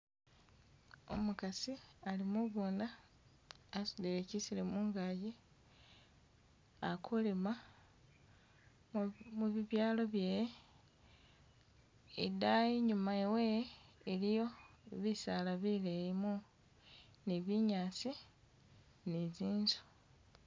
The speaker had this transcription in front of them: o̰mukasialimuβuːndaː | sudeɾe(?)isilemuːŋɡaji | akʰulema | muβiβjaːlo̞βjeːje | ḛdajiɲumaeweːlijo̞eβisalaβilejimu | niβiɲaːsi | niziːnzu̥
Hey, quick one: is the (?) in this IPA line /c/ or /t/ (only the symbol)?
c